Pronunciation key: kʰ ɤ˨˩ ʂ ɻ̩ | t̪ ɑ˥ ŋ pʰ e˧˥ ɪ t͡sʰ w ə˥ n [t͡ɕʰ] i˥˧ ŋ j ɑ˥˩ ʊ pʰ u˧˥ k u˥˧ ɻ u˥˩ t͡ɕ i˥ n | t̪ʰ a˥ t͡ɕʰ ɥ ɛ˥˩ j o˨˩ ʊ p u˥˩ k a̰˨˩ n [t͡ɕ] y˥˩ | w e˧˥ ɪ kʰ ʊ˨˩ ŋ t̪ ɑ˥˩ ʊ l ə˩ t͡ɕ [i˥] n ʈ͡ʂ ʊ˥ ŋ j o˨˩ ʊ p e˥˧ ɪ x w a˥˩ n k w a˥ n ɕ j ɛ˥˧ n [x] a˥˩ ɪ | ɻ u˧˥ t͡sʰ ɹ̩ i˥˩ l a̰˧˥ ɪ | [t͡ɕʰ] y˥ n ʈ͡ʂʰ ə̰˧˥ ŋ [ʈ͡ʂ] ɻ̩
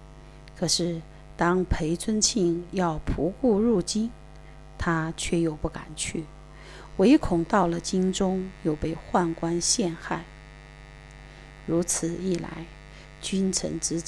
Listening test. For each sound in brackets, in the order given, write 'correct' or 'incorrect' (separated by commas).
correct, incorrect, correct, correct, incorrect, correct